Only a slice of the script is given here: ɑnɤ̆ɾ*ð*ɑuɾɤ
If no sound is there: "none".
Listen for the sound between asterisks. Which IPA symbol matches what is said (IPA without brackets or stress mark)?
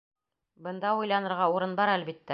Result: ʁ